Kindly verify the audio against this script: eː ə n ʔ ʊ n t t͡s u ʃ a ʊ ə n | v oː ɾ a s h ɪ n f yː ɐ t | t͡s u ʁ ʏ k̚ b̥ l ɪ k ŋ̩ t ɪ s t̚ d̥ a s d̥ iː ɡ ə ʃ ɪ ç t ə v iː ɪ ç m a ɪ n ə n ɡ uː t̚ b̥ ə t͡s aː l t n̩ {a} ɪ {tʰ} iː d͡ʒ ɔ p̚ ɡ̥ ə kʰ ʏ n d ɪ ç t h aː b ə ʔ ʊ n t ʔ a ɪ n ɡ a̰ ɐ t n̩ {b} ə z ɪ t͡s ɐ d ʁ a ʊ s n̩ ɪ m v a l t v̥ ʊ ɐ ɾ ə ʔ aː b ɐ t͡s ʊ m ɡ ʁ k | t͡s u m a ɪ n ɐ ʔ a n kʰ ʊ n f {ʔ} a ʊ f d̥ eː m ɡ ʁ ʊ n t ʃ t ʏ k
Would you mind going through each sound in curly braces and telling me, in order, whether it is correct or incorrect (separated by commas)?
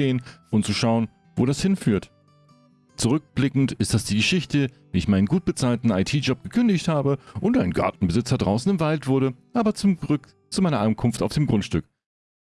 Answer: correct, correct, correct, incorrect